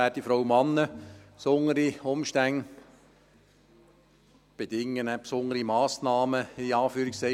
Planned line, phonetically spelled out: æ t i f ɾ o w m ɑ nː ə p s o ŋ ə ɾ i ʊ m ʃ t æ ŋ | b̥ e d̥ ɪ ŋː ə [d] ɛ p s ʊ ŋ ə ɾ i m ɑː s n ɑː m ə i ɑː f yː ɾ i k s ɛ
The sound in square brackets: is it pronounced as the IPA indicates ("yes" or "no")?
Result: no